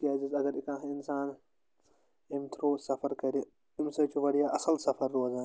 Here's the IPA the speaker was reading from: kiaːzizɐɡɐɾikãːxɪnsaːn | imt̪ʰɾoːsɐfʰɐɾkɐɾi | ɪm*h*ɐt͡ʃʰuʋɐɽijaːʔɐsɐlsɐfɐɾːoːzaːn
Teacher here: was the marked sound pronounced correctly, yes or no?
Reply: no